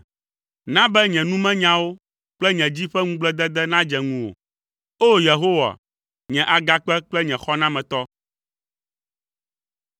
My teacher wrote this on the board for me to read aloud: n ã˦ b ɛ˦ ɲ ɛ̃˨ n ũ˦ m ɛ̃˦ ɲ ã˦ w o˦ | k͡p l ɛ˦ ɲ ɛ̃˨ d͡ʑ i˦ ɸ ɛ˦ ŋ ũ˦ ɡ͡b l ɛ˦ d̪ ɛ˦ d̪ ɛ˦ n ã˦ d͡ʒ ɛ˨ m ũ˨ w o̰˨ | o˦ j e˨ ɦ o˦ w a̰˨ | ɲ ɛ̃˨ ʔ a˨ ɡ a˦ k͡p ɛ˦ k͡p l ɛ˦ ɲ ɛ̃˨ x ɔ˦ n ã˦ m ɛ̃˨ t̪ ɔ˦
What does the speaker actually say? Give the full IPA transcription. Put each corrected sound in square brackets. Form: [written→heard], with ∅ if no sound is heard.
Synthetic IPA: n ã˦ b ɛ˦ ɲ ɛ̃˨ n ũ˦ m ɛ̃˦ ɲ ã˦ w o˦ | k͡p l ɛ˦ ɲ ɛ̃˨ d͡ʑ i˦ ɸ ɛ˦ ŋ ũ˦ ɡ͡b l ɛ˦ d̪ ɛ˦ d̪ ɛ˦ n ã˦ d͡ʒ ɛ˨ [m→ŋ] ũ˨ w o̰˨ | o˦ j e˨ ɦ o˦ w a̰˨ | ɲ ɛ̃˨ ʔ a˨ ɡ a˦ k͡p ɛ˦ k͡p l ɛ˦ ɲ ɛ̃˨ x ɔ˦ n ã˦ m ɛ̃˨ t̪ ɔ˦